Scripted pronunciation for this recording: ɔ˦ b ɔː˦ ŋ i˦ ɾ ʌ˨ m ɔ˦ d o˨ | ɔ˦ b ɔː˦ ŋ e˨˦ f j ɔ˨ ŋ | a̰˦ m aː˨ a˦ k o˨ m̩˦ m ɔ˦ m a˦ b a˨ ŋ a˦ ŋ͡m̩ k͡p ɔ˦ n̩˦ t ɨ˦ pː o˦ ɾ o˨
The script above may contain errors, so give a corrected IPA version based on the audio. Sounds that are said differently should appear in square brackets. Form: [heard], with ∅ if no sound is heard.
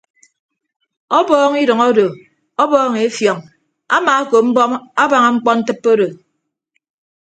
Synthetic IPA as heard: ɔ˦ b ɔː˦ ŋ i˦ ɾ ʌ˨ [ŋ] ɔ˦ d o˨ | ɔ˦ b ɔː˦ ŋ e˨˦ f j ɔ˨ ŋ | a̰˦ m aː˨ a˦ k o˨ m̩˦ [b] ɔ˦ m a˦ b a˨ ŋ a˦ ŋ͡m̩ k͡p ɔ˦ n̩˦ t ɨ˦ pː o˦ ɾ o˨

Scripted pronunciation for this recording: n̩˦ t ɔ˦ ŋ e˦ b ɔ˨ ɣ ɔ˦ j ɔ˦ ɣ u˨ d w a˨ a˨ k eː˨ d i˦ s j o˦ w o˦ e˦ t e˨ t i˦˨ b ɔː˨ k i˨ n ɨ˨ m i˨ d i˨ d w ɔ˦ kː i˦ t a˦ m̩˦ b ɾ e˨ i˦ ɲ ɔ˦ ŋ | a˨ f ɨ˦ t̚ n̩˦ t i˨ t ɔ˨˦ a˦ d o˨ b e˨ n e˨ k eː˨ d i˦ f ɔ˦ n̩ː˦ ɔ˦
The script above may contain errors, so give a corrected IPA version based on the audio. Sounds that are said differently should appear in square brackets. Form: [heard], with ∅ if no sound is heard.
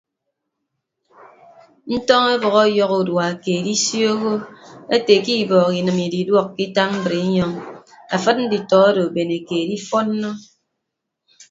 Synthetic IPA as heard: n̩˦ t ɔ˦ ŋ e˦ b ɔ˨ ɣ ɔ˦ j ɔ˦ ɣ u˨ d w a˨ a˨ k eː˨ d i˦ s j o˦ [ɣ] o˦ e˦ t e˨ [k] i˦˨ b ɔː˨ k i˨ n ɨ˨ m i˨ d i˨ d w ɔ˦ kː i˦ t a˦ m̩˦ b ɾ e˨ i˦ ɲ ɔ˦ ŋ | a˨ f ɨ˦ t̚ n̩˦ [d] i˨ t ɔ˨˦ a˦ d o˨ b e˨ n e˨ k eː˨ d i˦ f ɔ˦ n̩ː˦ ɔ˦

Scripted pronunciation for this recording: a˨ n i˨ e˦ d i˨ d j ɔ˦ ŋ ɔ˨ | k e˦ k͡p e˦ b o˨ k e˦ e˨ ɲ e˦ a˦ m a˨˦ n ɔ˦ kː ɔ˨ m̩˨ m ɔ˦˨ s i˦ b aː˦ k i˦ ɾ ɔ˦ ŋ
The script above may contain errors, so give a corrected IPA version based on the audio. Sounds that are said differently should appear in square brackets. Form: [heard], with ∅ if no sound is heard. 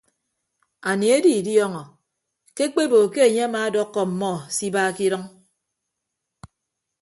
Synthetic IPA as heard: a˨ n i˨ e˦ d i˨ d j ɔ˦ ŋ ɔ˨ | k e˦ k͡p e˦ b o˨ k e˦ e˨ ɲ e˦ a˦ m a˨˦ [d] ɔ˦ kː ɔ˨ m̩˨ m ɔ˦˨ s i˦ b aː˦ k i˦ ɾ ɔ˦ ŋ

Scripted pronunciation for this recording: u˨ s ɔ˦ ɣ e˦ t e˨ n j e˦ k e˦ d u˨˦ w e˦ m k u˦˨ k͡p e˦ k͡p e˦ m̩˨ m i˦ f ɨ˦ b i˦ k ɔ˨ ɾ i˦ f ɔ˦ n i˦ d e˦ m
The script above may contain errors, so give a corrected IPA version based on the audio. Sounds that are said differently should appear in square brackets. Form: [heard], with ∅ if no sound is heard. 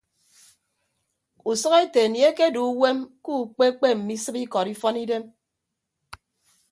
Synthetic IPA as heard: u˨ s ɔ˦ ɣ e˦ t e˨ n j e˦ k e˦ d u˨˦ w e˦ m k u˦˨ k͡p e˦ k͡p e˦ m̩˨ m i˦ [s] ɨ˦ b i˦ k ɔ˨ ɾ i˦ f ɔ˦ n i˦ d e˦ m

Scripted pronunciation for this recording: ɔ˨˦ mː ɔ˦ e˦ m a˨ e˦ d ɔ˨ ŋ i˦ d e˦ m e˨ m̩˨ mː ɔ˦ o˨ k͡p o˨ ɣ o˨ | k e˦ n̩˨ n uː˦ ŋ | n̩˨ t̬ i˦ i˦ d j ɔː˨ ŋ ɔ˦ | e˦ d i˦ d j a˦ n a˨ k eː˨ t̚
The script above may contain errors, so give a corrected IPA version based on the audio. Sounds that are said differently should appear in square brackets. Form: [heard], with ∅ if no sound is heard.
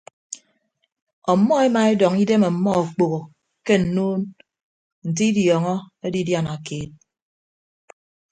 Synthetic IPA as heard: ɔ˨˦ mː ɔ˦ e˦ m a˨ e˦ d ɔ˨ ŋ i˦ d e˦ m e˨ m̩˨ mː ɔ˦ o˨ k͡p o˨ ɣ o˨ | k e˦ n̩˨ n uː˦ [n] | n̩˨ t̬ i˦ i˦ d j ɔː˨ ŋ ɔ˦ | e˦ d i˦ d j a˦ n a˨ k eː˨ t̚

